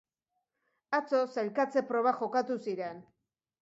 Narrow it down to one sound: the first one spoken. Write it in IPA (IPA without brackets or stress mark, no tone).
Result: a